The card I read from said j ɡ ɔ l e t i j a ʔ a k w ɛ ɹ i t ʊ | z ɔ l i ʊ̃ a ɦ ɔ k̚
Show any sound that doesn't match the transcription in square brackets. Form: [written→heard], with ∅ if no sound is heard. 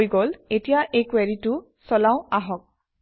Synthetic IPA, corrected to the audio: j ɡ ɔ l e t i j a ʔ [a→e] k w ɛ ɹ i t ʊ | [z→s] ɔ l [i→a] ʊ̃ a ɦ ɔ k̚